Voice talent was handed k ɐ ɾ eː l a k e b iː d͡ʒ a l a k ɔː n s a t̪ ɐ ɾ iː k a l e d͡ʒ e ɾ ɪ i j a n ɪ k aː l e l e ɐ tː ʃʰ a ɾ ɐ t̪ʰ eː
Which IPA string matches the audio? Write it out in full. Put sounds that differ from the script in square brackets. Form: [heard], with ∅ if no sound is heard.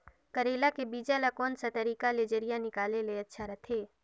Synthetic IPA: k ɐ ɾ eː l a k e b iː d͡ʒ a l a k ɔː n s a t̪ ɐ ɾ iː k a l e d͡ʒ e ɾ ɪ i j a n ɪ k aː l e l e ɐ tː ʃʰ a ɾ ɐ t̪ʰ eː